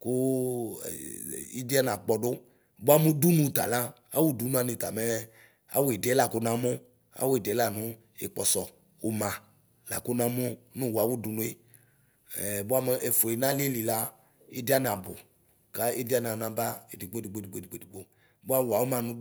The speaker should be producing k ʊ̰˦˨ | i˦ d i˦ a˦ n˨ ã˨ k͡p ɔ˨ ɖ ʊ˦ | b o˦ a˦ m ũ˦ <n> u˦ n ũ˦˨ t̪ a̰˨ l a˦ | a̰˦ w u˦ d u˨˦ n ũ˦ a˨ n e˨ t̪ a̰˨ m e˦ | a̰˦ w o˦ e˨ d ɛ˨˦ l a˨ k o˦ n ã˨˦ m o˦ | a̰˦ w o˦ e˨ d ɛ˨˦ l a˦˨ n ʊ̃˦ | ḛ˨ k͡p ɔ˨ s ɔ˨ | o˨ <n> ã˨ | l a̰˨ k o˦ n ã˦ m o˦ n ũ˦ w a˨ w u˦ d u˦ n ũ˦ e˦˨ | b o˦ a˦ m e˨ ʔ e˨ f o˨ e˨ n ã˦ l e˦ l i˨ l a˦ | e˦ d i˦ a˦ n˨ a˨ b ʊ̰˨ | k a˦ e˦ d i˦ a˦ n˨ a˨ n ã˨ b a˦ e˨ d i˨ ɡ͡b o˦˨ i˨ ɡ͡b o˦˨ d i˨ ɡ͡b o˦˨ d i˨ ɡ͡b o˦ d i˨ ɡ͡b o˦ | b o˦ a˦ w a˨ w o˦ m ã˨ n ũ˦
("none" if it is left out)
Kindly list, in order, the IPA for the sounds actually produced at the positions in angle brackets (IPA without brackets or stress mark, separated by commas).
d, m